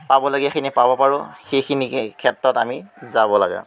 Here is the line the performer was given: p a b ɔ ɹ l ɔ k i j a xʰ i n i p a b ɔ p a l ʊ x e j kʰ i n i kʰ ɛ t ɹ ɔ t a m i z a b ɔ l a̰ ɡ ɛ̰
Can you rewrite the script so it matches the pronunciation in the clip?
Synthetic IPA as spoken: p a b ɔ l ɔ ɡ i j a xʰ i n i p a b ɔ p a ɹ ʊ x e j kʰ i n i kʰ ɛ t ɹ ɔ t a m i z a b ɔ l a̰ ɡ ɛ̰